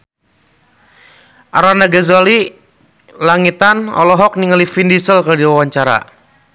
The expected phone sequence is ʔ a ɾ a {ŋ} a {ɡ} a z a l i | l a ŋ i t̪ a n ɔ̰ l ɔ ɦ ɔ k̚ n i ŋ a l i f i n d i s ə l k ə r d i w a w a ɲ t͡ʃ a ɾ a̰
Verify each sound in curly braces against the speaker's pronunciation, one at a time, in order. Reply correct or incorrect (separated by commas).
incorrect, correct